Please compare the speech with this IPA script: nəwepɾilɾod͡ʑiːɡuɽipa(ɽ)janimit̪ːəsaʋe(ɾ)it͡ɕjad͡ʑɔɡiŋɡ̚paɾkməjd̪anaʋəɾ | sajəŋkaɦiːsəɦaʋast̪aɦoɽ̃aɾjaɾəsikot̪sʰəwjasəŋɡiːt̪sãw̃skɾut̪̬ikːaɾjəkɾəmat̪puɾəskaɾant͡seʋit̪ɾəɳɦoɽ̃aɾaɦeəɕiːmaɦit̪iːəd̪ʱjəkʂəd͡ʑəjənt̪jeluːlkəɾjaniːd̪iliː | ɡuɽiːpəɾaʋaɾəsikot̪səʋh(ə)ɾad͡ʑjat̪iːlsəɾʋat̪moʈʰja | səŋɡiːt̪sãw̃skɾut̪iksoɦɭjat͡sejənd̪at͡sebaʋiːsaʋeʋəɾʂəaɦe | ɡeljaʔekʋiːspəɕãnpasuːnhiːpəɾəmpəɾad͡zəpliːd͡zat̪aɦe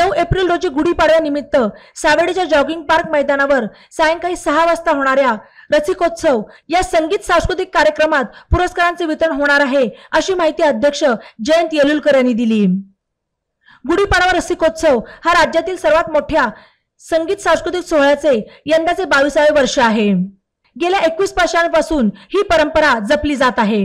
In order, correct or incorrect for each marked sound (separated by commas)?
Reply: correct, incorrect, incorrect